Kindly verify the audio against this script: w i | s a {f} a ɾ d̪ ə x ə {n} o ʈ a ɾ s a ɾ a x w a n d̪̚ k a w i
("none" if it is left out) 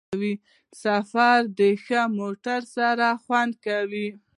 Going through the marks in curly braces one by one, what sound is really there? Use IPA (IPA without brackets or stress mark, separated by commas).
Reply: f, m